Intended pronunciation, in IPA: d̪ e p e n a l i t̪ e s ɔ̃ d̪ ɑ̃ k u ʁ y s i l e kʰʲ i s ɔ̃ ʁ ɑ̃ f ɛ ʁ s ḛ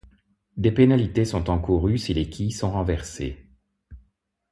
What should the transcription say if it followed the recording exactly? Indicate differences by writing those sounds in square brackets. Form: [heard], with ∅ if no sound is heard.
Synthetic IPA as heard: d̪ e p e n a l i t̪ e s ɔ̃ [t̪] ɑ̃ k u ʁ y s i l e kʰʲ i s ɔ̃ ʁ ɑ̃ [v] ɛ ʁ s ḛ